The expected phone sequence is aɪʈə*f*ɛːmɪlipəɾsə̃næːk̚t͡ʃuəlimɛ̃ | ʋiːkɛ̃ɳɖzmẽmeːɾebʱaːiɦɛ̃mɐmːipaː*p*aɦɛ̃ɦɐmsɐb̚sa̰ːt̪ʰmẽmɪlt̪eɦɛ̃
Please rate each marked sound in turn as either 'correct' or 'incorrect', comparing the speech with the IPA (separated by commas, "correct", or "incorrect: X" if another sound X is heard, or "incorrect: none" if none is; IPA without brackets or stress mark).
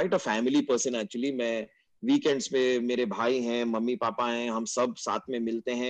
correct, correct